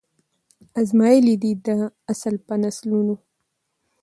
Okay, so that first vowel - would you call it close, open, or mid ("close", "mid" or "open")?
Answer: open